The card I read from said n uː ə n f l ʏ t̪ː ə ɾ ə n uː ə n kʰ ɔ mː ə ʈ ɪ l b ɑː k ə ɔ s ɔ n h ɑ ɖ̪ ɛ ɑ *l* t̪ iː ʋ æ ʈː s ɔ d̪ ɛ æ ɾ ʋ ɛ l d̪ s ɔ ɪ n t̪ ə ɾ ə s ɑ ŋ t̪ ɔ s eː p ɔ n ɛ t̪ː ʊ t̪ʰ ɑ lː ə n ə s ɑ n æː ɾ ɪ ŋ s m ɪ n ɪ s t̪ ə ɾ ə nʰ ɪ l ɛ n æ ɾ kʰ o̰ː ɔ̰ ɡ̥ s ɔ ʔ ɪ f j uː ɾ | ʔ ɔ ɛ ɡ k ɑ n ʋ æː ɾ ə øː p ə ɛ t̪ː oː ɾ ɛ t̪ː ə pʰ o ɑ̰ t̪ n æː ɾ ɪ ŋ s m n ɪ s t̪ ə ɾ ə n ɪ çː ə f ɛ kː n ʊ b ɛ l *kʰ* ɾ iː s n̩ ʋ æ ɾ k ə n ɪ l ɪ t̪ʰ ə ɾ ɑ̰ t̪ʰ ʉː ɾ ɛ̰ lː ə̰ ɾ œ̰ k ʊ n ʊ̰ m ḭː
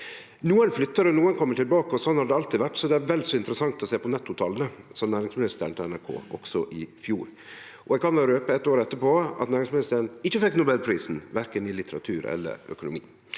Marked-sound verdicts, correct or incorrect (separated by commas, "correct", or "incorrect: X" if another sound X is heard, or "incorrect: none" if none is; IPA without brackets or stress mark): correct, incorrect: pʰ